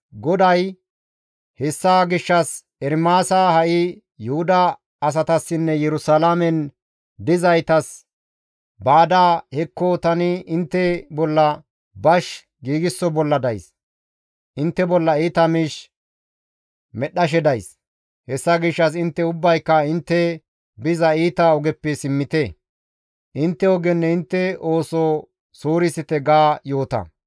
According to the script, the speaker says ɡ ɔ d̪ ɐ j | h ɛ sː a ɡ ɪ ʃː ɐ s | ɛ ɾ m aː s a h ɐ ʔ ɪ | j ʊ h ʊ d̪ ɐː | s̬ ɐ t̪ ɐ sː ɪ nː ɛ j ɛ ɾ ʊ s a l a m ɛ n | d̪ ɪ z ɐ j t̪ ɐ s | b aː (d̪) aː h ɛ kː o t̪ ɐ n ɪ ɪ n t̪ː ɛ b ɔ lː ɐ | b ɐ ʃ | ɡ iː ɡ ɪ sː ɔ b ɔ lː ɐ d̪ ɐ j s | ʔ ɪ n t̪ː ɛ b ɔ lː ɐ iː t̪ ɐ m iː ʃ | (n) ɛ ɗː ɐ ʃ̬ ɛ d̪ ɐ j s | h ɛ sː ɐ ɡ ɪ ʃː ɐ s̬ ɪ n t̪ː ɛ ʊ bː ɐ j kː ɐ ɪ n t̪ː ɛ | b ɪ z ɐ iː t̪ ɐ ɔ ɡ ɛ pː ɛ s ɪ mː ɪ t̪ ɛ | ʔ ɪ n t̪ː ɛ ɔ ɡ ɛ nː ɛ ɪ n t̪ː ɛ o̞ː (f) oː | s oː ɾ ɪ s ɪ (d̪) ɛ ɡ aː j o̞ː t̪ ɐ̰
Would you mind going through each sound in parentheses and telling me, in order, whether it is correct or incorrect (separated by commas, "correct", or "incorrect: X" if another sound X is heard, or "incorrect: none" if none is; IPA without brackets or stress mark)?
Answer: correct, incorrect: m, incorrect: s, incorrect: t̪